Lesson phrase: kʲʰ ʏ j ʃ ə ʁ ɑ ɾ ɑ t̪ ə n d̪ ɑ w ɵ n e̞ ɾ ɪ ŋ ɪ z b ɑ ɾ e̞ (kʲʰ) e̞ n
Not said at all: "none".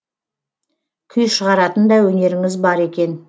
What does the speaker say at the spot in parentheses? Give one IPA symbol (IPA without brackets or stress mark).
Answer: kʲ